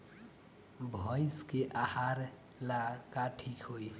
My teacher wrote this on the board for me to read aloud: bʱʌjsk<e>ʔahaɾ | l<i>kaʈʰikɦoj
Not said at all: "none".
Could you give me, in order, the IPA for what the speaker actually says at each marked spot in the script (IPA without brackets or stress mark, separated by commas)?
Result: e, a